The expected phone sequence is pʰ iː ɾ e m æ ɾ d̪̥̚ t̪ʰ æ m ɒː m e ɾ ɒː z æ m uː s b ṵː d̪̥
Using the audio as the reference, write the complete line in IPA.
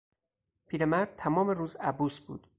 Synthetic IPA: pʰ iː ɾ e m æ ɾ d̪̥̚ t̪ʰ æ m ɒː m e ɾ uː z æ b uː s b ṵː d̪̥